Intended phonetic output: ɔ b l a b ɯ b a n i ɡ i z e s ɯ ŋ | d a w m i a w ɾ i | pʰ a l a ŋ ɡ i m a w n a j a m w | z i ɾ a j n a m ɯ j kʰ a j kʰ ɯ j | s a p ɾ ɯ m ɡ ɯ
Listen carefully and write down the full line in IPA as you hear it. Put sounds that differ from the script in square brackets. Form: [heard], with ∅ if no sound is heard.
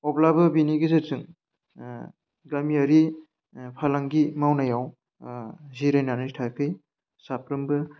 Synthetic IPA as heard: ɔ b l a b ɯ b [i] n i ɡ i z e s ɯ ŋ | [ɡ] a [∅] m i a [∅] ɾ i | pʰ a l a ŋ ɡ i m a w n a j a [∅] w | z i ɾ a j n a [n] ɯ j [tʰ] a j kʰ ɯ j | s a p ɾ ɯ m [b] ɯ